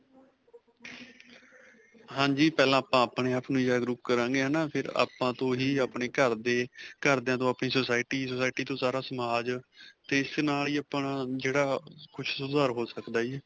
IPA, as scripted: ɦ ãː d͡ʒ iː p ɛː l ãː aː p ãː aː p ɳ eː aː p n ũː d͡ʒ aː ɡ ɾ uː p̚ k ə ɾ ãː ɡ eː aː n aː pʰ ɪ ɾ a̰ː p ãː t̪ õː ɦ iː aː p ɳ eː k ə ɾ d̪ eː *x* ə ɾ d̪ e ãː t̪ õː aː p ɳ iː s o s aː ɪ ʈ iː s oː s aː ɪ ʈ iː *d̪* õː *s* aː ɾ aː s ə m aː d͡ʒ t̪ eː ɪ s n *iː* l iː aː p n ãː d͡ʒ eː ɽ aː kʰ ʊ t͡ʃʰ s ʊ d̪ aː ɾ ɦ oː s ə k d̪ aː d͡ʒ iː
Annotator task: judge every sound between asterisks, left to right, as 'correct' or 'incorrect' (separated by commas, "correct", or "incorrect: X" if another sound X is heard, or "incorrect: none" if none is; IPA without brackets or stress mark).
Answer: incorrect: k, incorrect: t̪, correct, incorrect: aː